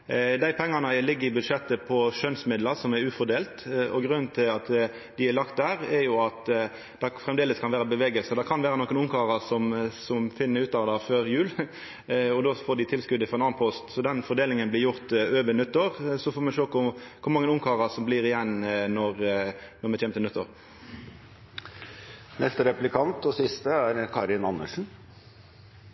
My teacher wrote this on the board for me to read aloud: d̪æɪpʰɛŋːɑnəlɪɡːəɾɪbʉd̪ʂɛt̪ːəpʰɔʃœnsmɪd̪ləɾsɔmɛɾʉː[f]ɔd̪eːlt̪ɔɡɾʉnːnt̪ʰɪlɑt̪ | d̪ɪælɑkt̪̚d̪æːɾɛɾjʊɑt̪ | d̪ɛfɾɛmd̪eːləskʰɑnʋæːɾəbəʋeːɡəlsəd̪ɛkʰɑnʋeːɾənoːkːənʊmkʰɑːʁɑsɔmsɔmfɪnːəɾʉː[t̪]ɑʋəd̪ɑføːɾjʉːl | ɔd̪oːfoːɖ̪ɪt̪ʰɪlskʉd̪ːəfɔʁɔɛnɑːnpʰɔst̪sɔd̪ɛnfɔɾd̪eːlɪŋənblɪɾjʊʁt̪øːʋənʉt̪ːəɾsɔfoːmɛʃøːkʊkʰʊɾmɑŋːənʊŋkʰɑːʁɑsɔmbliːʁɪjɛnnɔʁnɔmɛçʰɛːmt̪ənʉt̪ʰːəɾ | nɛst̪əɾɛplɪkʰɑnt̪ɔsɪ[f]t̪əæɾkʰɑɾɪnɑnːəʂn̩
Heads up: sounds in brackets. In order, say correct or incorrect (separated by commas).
correct, correct, incorrect